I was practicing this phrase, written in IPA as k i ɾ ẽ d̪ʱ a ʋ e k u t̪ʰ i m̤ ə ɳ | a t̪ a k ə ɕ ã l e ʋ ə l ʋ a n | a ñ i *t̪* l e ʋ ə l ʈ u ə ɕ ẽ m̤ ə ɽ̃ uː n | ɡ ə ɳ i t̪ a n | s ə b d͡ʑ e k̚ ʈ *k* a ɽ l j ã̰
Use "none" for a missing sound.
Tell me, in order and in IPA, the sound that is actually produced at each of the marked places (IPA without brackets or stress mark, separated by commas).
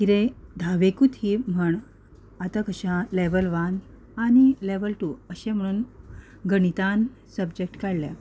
none, k